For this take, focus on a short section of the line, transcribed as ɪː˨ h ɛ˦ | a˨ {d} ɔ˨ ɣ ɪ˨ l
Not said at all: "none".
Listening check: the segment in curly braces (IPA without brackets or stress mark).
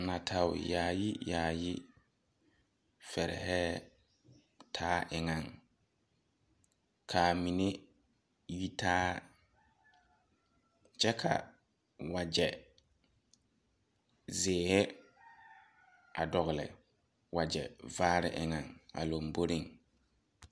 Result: d